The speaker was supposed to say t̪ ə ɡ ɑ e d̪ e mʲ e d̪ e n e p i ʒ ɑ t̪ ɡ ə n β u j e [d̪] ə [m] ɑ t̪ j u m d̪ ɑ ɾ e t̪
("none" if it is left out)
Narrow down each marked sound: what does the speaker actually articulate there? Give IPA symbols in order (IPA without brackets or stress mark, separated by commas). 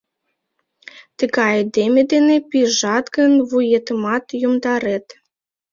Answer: t̪, m